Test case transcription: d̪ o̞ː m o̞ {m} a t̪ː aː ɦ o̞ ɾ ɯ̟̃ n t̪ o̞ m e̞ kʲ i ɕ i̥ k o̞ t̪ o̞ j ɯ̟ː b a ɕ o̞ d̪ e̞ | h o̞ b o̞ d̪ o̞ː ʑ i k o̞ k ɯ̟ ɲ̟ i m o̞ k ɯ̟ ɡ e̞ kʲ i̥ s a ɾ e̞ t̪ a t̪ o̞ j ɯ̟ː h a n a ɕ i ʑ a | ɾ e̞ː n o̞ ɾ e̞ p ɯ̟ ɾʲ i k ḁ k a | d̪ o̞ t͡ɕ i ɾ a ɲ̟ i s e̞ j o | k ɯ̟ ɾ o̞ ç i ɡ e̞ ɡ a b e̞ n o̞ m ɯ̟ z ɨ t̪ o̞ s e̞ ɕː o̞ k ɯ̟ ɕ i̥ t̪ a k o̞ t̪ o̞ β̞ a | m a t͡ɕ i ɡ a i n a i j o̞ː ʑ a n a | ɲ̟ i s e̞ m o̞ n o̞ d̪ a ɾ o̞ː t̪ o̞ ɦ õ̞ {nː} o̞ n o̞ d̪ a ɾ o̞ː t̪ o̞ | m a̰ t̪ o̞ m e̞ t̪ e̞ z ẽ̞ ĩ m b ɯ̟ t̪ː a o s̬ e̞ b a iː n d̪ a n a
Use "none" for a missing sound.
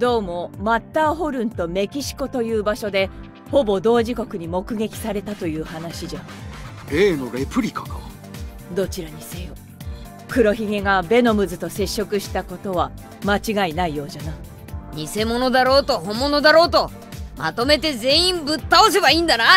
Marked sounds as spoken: m, mː

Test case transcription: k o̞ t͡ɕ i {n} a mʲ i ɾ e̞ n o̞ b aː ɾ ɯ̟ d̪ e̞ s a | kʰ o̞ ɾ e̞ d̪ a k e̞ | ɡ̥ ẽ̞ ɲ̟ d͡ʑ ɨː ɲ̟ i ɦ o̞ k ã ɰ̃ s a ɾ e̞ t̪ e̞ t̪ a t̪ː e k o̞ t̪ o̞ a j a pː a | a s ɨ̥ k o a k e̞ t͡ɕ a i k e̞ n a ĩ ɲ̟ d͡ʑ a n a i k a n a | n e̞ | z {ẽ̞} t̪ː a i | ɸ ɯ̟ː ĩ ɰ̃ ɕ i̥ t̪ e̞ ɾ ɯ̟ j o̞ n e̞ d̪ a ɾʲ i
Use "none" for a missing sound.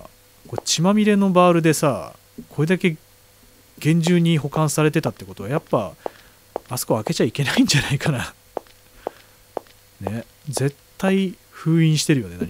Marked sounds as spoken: m, e̞

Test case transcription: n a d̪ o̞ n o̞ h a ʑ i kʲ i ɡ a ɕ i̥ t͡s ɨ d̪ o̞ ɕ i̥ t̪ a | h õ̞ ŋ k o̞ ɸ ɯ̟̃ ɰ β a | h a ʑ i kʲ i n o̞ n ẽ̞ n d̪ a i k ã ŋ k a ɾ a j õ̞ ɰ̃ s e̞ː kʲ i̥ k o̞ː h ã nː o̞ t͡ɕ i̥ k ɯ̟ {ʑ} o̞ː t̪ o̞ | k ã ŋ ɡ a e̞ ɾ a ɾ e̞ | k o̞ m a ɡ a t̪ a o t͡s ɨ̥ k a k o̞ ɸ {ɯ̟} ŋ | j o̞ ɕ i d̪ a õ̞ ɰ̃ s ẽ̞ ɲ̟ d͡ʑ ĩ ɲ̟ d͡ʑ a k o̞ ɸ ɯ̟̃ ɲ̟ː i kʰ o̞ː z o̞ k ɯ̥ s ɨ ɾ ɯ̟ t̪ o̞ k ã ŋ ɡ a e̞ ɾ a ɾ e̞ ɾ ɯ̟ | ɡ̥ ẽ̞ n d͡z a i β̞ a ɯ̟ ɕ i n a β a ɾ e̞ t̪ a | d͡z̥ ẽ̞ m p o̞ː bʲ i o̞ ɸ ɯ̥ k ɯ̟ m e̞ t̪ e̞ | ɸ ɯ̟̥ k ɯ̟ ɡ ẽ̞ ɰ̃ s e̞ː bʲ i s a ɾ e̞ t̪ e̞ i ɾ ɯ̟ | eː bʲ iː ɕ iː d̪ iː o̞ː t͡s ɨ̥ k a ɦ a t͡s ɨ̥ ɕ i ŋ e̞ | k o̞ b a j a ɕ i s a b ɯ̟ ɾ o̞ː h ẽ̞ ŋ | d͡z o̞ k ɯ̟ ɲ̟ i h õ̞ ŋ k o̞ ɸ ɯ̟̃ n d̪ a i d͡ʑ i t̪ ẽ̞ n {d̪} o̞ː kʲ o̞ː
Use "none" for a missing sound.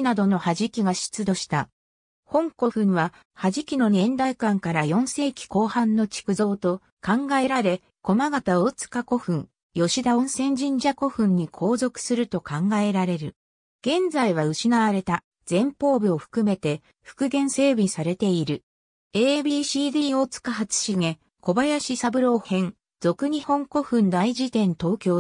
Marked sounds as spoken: z, ɯ̟̃, t̪

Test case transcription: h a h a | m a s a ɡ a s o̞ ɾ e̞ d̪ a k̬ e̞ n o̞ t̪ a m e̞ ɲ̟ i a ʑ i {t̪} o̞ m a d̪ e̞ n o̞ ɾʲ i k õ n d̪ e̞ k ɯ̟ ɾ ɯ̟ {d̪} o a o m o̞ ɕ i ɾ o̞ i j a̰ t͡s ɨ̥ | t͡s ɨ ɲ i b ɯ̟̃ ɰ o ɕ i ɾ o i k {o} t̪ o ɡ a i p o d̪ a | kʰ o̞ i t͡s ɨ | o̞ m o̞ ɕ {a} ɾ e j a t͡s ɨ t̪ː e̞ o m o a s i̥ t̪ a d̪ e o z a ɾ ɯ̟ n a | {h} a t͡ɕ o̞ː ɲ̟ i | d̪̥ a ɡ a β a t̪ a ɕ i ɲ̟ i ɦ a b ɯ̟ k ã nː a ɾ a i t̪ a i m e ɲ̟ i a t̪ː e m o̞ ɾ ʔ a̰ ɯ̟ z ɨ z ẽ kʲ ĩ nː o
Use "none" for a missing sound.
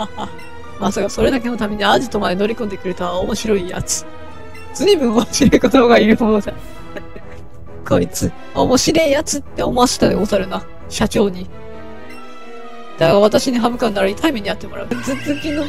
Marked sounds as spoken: t̪, t̪, o, i, ɕ

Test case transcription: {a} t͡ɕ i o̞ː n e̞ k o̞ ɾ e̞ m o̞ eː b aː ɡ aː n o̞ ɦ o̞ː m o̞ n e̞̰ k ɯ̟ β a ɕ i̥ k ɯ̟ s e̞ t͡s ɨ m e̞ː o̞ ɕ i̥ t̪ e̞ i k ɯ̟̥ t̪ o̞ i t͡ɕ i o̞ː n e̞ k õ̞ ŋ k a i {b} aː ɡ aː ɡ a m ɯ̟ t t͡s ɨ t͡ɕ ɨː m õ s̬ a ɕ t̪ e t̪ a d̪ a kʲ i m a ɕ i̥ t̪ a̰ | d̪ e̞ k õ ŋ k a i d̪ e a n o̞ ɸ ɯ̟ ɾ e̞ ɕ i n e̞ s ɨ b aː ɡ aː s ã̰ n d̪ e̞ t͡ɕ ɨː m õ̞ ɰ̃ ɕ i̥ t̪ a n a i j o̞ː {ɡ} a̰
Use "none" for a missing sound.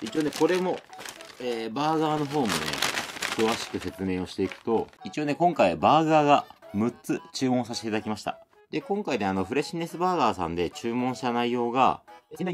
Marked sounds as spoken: i, b, ɡ

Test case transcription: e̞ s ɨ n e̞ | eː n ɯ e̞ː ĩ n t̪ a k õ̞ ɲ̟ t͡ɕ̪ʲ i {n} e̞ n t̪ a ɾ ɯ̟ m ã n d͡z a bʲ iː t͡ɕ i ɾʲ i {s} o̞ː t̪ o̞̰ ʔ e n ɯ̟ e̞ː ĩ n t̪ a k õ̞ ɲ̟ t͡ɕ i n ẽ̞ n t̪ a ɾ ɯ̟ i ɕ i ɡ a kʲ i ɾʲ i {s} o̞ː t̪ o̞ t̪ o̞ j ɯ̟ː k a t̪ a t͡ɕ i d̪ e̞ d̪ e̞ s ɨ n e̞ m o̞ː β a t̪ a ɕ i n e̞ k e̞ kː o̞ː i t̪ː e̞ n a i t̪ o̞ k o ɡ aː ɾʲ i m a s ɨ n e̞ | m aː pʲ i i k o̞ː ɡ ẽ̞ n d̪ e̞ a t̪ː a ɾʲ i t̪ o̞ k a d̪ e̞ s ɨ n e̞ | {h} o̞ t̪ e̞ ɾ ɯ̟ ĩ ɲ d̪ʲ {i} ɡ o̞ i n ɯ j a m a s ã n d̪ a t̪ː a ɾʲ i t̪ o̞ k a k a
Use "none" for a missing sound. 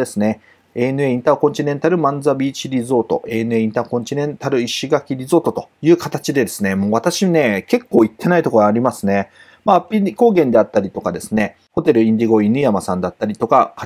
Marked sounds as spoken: n, z, z, h, i

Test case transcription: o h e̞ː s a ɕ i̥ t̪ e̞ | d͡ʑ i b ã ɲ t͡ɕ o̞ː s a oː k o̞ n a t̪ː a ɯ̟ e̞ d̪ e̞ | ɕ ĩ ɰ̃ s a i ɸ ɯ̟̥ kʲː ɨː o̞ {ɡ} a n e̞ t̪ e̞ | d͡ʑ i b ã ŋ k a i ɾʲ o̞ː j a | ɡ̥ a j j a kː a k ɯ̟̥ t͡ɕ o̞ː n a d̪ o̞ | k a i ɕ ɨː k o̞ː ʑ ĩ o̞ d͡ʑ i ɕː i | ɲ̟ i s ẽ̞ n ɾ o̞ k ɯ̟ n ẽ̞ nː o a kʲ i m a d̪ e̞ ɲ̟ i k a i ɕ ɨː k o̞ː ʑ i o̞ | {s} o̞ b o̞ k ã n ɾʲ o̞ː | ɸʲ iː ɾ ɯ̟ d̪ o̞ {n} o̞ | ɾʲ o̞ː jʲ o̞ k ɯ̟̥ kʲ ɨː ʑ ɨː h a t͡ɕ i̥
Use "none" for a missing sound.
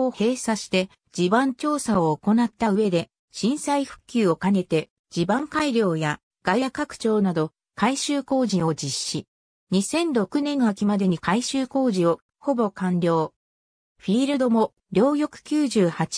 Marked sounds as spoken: k, h, m

